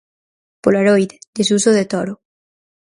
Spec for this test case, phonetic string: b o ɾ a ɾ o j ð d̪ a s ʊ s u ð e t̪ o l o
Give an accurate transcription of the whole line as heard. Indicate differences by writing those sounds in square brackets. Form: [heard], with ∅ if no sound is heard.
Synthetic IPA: [p] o [l] a ɾ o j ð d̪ [e] s [u] s [o] ð e t̪ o [ɾ] o

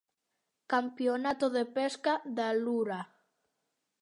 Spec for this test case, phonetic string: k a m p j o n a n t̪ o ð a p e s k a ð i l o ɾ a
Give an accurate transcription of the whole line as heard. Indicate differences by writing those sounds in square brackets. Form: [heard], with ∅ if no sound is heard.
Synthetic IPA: k a m p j o n a [∅] t̪ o ð [e] p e s k a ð [a] l [u] ɾ a

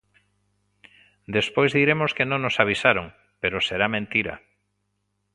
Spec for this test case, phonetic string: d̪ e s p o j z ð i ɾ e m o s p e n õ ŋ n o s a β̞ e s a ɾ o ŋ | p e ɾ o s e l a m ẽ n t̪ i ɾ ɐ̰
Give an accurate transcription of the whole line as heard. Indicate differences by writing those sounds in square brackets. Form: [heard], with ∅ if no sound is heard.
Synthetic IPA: d̪ e s p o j z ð i ɾ e m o s [k] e n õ ŋ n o s a β̞ [i] s a ɾ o ŋ | p e ɾ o s e [ɾ] a m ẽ n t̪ i ɾ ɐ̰

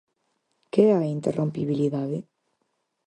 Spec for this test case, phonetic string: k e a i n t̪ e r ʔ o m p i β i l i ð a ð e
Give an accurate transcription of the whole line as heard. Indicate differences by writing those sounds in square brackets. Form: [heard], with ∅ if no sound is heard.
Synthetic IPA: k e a i n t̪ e r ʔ o m p i β i l i ð a ð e

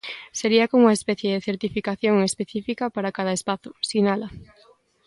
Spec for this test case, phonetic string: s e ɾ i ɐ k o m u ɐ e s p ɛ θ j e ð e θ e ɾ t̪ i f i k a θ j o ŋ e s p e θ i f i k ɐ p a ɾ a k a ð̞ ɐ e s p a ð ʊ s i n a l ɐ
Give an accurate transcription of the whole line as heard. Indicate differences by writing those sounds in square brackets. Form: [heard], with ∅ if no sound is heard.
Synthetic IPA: s e ɾ i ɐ k o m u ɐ e s p ɛ θ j e ð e θ e ɾ t̪ i f i k a θ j o ŋ e s p e θ i f i k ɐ p a ɾ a k a ð̞ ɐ e s p a [θ] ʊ s i n a l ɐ

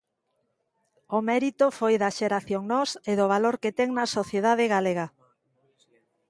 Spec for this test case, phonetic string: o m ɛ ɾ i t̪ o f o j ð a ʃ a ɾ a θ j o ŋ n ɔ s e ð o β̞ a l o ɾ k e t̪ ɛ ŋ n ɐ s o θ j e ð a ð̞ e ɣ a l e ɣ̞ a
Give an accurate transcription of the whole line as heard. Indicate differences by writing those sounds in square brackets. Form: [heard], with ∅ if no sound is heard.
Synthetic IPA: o m ɛ ɾ i t̪ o f o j ð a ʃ [e] ɾ a θ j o ŋ n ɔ s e ð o β̞ a l o ɾ k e t̪ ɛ ŋ n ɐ s o θ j e ð a ð̞ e ɣ a l e ɣ̞ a

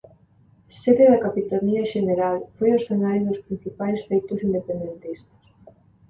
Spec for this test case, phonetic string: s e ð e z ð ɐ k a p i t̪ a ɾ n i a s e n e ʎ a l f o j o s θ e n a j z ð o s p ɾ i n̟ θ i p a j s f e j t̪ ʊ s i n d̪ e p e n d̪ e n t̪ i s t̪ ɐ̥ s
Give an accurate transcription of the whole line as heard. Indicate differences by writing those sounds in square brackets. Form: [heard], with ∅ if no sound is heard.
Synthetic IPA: s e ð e [∅] ð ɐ k a p i t̪ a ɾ n i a [ʃ] e n e [ɾ] a l f o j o s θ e n a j z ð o s p ɾ i n̟ θ i p a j s f e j t̪ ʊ s i n d̪ e p e n d̪ e n t̪ i s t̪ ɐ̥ s

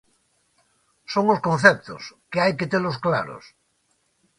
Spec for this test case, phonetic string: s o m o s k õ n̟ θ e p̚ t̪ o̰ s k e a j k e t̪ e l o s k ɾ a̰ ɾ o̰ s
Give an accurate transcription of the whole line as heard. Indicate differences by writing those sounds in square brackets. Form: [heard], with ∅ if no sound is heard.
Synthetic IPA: s o [ŋ] o s k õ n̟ θ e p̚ t̪ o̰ s k e a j k e t̪ e l o s k [l] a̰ ɾ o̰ s

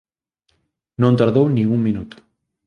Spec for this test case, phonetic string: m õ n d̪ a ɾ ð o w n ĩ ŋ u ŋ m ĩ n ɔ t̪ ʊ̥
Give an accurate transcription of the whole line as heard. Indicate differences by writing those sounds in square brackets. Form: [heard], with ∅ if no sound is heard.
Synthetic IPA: [n] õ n [t̪] a ɾ ð o w n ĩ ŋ u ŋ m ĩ n [u] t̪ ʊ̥

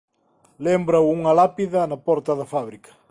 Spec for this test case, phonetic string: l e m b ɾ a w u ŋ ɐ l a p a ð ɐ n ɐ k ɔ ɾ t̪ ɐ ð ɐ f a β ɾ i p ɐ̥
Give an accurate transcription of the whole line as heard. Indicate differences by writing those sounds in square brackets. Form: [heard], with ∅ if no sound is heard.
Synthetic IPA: l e m b ɾ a w u ŋ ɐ l a p [i] ð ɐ n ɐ [p] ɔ ɾ t̪ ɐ ð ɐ f a β ɾ i [k] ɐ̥

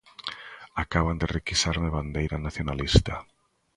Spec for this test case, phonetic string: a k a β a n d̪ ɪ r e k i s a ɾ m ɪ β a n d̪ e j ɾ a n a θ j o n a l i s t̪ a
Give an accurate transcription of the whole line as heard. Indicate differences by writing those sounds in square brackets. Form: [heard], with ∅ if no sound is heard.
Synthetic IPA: a k a β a n d̪ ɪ r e k i s a ɾ m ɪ β a n d̪ e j ɾ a n a θ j o n a l i s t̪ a

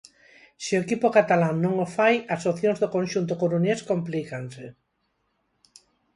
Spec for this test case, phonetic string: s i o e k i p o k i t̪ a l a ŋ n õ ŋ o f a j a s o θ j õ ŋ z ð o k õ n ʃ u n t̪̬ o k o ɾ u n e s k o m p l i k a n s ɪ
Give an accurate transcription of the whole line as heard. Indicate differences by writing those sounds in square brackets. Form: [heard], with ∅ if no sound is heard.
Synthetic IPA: s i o e k i p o k [a] t̪ a l a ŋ n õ ŋ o f a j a s o θ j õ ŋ z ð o k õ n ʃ u n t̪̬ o k o ɾ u n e s k o m p l i k a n s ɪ

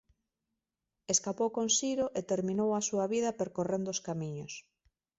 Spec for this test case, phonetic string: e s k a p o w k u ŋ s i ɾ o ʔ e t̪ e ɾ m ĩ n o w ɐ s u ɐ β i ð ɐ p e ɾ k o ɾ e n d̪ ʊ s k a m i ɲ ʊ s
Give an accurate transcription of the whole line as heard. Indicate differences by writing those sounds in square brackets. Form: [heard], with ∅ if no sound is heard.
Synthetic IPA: e s k a p o w k [o] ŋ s i ɾ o ʔ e t̪ e ɾ m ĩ n o w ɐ s u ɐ β i ð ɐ p e ɾ k o [r] e n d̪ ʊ s k a m i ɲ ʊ s

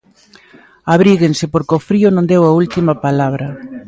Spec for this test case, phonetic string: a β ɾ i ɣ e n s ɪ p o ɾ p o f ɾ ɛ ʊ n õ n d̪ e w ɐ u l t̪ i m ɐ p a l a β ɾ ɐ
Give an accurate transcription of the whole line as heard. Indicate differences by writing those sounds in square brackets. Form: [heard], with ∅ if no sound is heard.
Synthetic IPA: a β ɾ i ɣ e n s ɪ p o ɾ [k] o f ɾ [i] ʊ n õ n d̪ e w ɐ u l t̪ i m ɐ p a l a β ɾ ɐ

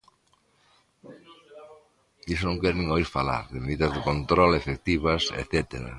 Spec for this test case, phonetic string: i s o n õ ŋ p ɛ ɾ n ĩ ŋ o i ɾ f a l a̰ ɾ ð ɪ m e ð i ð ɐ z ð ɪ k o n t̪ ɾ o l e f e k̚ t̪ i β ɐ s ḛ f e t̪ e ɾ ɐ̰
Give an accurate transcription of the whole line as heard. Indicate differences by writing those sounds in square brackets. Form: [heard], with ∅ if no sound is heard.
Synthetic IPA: i s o n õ ŋ [k] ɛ ɾ n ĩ ŋ o i ɾ f a l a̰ ɾ ð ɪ m e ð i ð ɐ z ð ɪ k o n t̪ ɾ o l e f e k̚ t̪ i β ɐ s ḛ [θ] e t̪ e ɾ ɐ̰

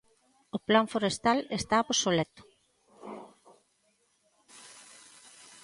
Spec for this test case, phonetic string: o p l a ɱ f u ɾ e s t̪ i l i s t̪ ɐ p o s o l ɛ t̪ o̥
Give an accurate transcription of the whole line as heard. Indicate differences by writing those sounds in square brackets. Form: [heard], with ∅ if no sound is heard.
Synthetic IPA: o p l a ɱ f [o] ɾ e s t̪ [a] l [e] s t̪ [a] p o s o l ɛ t̪ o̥

